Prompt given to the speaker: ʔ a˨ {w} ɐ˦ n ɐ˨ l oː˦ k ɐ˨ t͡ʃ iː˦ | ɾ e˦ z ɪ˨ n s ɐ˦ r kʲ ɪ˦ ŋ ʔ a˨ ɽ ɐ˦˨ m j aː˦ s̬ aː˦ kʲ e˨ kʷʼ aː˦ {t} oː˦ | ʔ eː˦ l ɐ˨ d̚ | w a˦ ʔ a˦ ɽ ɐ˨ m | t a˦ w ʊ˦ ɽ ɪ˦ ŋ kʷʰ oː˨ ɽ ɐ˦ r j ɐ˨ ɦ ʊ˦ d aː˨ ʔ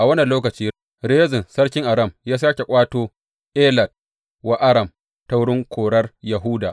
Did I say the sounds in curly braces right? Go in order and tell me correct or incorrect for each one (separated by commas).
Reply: correct, correct